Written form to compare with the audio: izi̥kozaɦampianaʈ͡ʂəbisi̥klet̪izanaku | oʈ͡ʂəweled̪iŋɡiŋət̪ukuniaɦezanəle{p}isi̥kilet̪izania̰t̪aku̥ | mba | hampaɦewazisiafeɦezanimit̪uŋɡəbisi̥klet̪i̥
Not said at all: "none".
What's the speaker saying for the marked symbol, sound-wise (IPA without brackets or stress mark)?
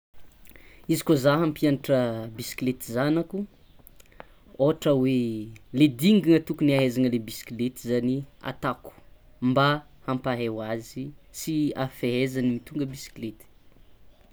b